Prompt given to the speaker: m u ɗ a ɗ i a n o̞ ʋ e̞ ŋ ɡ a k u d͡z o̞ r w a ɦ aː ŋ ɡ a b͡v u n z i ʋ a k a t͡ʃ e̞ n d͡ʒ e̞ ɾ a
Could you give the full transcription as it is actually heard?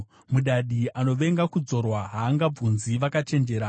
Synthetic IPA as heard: m u ɗ a ɗ i a n o̞ ʋ e̞ ŋ ɡ a k u d͡z o̞ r w a ɦ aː ŋ ɡ a b͡v u n z i ʋ a k a t͡ʃ e̞ n d͡ʒ e̞ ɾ a